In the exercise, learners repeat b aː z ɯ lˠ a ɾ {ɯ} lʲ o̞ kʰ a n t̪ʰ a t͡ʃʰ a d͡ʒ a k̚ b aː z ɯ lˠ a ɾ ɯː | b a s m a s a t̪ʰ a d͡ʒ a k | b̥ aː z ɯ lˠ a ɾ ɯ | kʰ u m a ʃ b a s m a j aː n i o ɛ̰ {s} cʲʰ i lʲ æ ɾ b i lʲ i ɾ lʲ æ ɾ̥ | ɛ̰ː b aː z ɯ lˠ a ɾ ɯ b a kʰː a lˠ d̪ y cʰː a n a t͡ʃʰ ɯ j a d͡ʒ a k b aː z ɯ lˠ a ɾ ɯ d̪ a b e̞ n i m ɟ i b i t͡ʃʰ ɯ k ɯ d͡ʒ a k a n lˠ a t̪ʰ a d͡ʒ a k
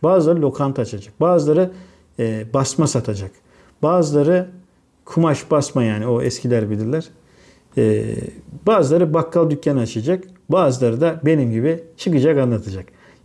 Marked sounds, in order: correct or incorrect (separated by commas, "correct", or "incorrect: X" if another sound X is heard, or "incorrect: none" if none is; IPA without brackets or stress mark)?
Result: correct, correct